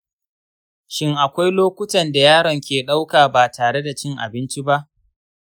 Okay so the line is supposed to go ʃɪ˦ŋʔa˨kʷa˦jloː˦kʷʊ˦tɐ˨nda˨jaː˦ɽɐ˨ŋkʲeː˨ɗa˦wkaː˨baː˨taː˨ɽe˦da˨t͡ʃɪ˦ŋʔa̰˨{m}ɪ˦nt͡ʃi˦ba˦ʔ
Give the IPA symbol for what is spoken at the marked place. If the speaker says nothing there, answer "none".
b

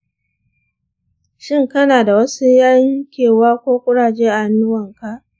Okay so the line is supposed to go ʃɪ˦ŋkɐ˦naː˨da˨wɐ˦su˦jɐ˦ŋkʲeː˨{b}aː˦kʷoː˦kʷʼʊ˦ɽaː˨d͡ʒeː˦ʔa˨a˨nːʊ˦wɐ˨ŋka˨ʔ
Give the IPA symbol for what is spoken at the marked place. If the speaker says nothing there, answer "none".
w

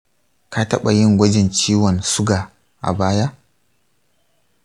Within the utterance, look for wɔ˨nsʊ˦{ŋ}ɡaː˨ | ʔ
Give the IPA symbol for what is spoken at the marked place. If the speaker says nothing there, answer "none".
none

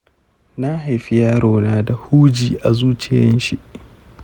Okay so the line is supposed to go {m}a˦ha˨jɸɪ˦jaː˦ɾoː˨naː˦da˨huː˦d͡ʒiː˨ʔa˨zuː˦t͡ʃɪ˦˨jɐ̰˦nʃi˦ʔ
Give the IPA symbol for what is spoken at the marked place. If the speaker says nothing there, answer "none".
n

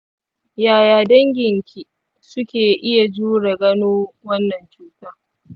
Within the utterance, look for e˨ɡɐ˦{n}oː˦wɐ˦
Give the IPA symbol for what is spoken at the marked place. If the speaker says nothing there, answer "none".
n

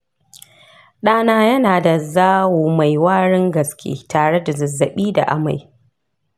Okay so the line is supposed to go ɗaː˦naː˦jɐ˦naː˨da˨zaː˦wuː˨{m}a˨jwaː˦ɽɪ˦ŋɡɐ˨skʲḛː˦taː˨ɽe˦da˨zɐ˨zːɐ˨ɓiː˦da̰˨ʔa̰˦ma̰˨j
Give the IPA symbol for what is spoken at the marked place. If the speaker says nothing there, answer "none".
m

